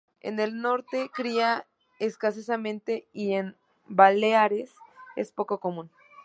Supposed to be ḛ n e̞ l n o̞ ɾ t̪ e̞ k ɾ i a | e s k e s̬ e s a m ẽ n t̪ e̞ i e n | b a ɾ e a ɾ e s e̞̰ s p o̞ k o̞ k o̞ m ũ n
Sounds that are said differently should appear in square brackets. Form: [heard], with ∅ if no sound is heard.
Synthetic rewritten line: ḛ n e̞ l n o̞ ɾ t̪ e̞ k ɾ i a | e s k [a] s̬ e s a m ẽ n t̪ e̞ i e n | b a [l] e a ɾ e s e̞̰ s p o̞ k o̞ k o̞ m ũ n

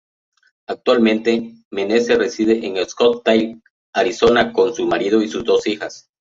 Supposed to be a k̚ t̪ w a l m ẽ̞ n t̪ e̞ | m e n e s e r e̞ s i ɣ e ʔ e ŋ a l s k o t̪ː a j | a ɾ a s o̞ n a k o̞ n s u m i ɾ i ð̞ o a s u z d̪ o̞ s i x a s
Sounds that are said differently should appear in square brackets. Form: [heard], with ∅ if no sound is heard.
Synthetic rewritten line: a k̚ t̪ w a l m ẽ̞ n t̪ e̞ | m e n e s e r e̞ s i [ð] e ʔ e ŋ [e] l s k o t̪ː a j | a ɾ [i] s o̞ n a k o̞ n s u m [a] ɾ i ð̞ o [i] s u z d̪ o̞ s i x a s

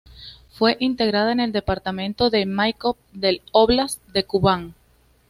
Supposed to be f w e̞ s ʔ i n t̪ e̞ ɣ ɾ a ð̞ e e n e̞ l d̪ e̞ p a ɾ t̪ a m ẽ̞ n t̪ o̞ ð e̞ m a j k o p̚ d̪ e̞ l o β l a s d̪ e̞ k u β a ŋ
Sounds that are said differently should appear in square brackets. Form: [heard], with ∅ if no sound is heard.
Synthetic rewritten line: f w e̞ [∅] ʔ i n t̪ e̞ ɣ ɾ a ð̞ [a] e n e̞ l d̪ e̞ p a ɾ t̪ a m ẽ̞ n t̪ o̞ ð e̞ m a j k o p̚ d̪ e̞ l o β l a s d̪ e̞ k u β a ŋ

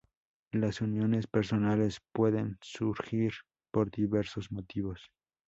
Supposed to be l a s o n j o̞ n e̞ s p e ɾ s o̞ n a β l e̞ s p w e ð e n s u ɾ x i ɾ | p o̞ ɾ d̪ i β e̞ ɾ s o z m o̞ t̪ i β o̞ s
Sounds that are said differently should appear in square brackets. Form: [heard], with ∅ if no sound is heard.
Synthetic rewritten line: l a s [u] n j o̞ n e̞ s p e ɾ s o̞ n a [∅] l e̞ s p w e ð e n s u ɾ x i ɾ | p o̞ ɾ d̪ i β e̞ ɾ s o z m o̞ t̪ i β o̞ s

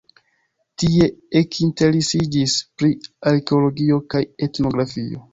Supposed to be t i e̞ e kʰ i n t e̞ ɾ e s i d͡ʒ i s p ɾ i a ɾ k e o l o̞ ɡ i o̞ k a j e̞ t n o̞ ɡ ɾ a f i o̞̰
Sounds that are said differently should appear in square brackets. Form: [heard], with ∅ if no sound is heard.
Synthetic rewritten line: t i e̞ e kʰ i n t e̞ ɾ e s i d͡ʒ i s p ɾ i a ɾ k e o l o̞ ɡ i o̞ k a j e̞ t n o̞ ɡ ɾ a f i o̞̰

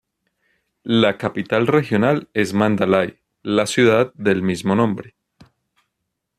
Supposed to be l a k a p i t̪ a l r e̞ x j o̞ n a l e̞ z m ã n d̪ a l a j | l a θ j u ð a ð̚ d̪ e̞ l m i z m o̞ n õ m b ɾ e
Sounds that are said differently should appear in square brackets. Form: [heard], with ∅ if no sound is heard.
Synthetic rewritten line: l a k a p i t̪ a l r e̞ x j o̞ n a l e̞ z m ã n d̪ a l a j | l a [s] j u ð a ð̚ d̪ e̞ l m i z m o̞ n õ m b ɾ e

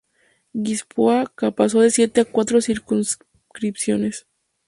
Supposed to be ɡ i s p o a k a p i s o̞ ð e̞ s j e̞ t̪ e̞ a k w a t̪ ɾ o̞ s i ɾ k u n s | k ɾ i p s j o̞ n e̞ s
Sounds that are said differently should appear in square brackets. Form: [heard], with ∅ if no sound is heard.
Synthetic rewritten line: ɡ i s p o a k a p [a] s o̞ ð e̞ s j e̞ t̪ e̞ a k w a t̪ ɾ o̞ s i ɾ k u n s | k ɾ i p s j o̞ n e̞ s

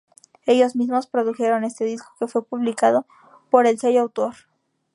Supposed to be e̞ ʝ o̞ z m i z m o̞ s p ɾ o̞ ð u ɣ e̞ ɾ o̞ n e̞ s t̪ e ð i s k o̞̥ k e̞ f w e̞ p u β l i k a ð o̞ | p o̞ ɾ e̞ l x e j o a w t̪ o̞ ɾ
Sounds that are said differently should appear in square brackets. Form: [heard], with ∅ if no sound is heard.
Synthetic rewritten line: e̞ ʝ o̞ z m i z m o̞ s p ɾ o̞ ð u [x] e̞ ɾ o̞ n e̞ s t̪ e ð i s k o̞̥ k e̞ f w e̞ p u β l i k a ð o̞ | p o̞ ɾ e̞ l [s] e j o a w t̪ o̞ ɾ

